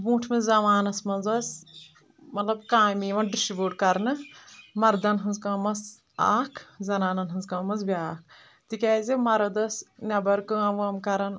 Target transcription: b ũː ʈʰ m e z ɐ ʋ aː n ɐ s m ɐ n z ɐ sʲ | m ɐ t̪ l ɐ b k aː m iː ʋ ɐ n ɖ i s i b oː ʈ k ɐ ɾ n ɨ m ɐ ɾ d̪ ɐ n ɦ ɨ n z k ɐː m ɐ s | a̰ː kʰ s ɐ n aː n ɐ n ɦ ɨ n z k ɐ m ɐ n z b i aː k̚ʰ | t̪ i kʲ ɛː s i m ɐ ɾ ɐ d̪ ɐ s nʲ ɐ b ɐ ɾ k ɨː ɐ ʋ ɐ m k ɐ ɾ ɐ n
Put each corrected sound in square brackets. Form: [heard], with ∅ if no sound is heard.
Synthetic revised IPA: b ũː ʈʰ m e z ɐ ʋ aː n ɐ s m ɐ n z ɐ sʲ | m ɐ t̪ l ɐ b k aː m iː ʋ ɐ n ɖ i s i b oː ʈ k ɐ ɾ n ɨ m ɐ ɾ d̪ ɐ n ɦ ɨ n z k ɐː m ɐ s | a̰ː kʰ [z] ɐ n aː n ɐ n ɦ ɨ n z k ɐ m ɐ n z b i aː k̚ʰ | t̪ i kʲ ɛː [z] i m ɐ ɾ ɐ d̪ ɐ s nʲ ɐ b ɐ ɾ k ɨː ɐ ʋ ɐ m k ɐ ɾ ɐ n